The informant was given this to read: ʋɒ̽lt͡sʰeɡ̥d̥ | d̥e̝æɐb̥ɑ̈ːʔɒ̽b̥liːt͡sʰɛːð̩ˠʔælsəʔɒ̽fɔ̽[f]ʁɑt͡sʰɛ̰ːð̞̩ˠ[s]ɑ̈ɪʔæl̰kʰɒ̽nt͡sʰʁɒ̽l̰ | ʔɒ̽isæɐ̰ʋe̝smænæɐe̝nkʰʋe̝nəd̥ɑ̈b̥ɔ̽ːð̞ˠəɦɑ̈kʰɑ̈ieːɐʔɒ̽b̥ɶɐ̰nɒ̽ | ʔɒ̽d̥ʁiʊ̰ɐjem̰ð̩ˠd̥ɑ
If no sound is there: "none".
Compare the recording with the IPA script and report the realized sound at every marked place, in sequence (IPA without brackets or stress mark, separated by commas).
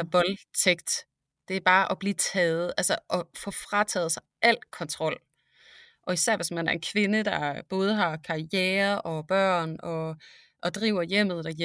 f, s